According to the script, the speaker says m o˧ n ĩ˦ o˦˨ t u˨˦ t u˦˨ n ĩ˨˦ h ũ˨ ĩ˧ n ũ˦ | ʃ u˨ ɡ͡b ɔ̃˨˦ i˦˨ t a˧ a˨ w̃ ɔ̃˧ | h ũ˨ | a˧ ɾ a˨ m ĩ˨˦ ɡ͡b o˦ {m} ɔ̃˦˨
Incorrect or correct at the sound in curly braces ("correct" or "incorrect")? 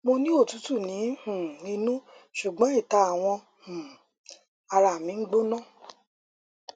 incorrect